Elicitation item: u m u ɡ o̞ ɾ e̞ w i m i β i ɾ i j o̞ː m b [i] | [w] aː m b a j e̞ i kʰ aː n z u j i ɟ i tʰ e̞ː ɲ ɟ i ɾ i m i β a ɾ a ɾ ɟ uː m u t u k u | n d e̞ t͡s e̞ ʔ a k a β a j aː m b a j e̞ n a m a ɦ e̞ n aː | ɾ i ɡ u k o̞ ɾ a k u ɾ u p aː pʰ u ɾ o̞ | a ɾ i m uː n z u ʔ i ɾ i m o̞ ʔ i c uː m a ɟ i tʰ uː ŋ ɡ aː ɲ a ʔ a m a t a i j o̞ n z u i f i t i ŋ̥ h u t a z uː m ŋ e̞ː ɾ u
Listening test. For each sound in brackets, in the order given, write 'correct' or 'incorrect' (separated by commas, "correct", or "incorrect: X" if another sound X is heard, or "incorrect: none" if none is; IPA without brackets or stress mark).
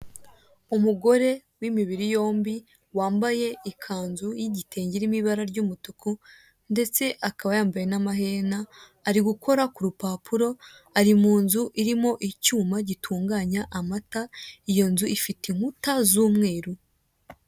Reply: correct, correct